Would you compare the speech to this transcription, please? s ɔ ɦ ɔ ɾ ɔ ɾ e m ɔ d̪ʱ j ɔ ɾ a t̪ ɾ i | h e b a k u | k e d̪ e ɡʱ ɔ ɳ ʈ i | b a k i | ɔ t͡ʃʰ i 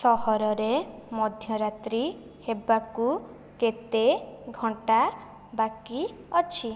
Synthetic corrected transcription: s ɔ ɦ ɔ ɾ ɔ ɾ e m ɔ d̪ʱ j ɔ ɾ a t̪ ɾ i | h e b a k u | k e t̪ e ɡʱ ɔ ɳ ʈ a | b a k i | ɔ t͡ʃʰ i

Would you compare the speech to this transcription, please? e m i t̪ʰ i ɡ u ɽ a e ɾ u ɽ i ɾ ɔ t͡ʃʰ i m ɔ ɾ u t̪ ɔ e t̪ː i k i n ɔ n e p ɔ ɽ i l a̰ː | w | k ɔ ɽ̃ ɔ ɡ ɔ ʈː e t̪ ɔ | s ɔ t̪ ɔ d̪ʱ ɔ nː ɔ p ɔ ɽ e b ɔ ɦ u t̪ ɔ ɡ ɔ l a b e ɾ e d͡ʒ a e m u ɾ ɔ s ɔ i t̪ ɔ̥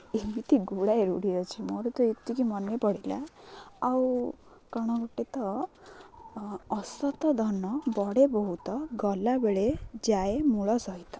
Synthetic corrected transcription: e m i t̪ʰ i ɡ u ɽ a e ɾ u ɽ i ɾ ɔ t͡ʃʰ i m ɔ ɾ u t̪ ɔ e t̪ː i k i m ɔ n e p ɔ ɽ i l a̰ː | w | k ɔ ɽ̃ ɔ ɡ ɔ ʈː e t̪ ɔ | s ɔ t̪ ɔ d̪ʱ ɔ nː ɔ b ɔ ɽ e b ɔ ɦ u t̪ ɔ ɡ ɔ l a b e ɭ e d͡ʒ a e m u ɭ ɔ s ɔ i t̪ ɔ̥

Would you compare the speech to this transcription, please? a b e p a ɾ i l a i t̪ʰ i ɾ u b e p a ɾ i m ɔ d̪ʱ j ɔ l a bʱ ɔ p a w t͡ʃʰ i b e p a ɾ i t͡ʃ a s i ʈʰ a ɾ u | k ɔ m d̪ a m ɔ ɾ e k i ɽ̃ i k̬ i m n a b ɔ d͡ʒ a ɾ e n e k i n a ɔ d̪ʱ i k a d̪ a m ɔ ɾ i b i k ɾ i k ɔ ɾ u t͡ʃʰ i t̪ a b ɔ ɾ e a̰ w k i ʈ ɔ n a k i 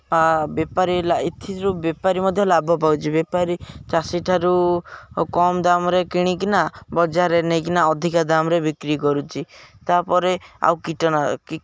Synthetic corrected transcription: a b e p a ɾ i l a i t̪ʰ i ɾ u b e p a ɾ i m ɔ d̪ʱ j ɔ l a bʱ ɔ p a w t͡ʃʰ i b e p a ɾ i t͡ʃ a s i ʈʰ a ɾ u | k ɔ m d̪ a m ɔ ɾ e k i ɽ̃ i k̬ i n a b ɔ d͡ʒ a ɾ e n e k i n a ɔ d̪ʱ i k a d̪ a m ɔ ɾ e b i k ɾ i k ɔ ɾ u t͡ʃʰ i t̪ a p ɔ ɾ e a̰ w k i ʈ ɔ n a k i

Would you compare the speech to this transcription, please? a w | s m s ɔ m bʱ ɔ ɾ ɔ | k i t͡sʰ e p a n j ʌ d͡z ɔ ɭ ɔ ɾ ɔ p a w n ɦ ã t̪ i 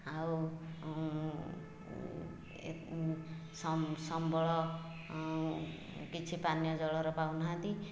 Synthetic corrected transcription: a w | s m s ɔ m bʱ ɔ ɭ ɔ | k i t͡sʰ i p a n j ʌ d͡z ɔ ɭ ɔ ɾ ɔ p a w n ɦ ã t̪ i

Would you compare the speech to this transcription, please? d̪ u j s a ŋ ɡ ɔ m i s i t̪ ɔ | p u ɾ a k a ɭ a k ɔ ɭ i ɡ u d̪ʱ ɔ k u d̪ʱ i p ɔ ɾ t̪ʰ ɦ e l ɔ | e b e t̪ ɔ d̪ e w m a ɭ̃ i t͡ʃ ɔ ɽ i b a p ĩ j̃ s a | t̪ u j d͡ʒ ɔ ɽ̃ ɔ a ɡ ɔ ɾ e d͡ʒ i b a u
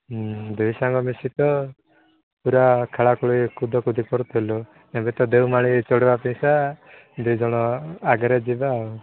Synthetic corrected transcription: d̪ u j s a ŋ ɡ ɔ m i s i t̪ ɔ | p u ɾ a kʰ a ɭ a k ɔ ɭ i k u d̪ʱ ɔ k u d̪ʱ i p ɔ ɾ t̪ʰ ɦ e l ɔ | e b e t̪ ɔ d̪ e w m a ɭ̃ i t͡ʃ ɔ ɽ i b a p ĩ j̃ s a | d̪ u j d͡ʒ ɔ ɽ̃ ɔ a ɡ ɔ ɾ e d͡ʒ i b a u

